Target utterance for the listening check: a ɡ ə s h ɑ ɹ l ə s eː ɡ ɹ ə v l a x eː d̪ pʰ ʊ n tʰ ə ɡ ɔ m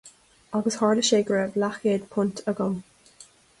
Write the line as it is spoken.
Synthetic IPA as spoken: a ɡ ə s h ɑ ɹ l ə ʃ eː ɡ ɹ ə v l a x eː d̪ pʰ ʊ n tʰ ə ɡ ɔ m

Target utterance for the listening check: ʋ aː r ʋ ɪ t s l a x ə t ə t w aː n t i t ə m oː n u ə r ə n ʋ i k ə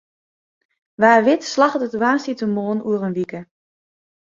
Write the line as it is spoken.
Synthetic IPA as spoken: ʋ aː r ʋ ɪ t s l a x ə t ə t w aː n s i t ə m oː n u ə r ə n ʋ i k ə

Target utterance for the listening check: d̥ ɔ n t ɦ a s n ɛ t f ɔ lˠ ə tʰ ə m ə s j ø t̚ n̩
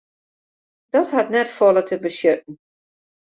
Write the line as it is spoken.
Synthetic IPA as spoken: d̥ ɔ t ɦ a t n ɛ t f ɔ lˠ ə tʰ ə b ə s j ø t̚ n̩

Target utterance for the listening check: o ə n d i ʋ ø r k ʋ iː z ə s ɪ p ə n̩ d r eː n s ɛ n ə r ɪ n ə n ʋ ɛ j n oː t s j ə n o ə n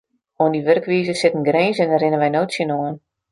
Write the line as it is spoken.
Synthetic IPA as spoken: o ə n d i ʋ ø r k ʋ iː z ə s ɪ t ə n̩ ɡ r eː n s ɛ n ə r ɪ n ə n ʋ ɛ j n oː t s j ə n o ə n

